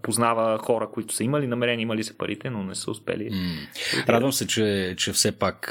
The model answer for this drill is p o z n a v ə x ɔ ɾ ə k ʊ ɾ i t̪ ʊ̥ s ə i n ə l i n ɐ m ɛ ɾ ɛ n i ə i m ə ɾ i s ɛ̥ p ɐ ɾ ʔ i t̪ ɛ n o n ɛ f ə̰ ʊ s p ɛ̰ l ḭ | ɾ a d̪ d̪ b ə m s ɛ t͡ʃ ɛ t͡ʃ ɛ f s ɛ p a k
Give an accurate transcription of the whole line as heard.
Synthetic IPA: p o z n a v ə x ɔ ɾ ə k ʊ i t̪ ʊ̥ s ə i m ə l i n ɐ m ɛ ɾ ɛ n i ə i m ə l i s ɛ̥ p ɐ ɾ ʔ i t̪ ɛ n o n ɛ s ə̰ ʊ s p ɛ̰ l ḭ | ɾ a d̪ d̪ v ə m s ɛ t͡ʃ ɛ t͡ʃ ɛ f s ɛ p a k